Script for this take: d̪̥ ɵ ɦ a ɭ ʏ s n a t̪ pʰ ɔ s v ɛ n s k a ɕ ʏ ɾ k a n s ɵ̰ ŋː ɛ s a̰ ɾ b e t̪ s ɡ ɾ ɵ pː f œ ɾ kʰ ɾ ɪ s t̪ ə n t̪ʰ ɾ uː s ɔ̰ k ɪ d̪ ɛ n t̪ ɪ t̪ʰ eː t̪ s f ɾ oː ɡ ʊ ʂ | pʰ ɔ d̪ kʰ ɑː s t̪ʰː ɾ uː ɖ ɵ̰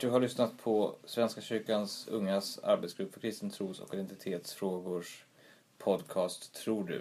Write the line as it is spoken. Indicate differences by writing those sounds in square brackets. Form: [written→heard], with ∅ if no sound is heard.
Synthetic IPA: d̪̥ ɵ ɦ a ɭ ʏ s n a t̪ pʰ ɔ s v ɛ n s k a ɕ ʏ ɾ k a n s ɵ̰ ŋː [ɛ→a] s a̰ ɾ b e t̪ s ɡ ɾ ɵ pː f œ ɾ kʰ ɾ ɪ s t̪ ə n t̪ʰ ɾ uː s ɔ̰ k ɪ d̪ ɛ n t̪ ɪ t̪ʰ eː t̪ s f ɾ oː ɡ ʊ ʂ | pʰ ɔ d̪ kʰ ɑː s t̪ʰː ɾ uː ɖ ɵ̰